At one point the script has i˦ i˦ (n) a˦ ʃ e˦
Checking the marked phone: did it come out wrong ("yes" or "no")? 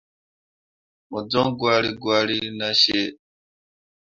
no